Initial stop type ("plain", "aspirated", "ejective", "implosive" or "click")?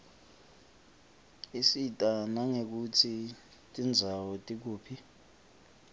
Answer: ejective